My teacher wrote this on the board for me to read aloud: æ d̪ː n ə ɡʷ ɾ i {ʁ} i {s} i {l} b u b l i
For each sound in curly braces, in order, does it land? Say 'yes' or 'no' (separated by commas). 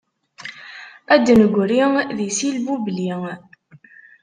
no, yes, yes